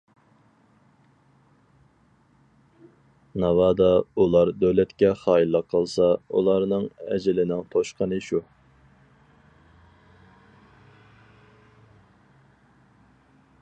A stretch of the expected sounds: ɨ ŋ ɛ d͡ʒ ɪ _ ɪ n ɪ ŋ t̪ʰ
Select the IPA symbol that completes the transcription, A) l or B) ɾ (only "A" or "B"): A